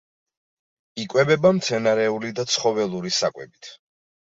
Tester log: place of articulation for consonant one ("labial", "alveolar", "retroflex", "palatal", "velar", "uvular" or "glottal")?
velar